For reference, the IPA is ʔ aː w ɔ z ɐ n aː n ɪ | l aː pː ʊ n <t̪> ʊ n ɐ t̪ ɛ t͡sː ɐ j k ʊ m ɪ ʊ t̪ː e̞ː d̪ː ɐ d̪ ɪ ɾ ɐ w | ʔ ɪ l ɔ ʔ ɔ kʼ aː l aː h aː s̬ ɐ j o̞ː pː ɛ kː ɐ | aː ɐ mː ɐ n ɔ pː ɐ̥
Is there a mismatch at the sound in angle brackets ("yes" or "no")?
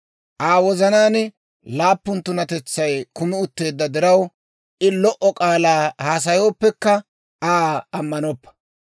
no